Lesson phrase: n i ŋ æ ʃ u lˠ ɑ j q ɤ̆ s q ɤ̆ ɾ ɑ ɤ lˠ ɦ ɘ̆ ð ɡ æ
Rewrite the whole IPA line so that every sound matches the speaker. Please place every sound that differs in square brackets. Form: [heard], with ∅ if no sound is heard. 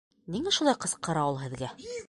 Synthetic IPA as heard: n i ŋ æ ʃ u lˠ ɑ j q ɤ̆ s q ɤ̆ ɾ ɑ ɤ lˠ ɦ ɘ̆ ð ɡ æ